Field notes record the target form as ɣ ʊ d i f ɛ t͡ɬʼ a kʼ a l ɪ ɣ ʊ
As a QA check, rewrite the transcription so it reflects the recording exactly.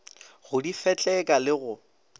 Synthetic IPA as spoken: ɣ ʊ d i f ɛ t͡ɬʼ ɛ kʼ a l ɪ ɣ ʊ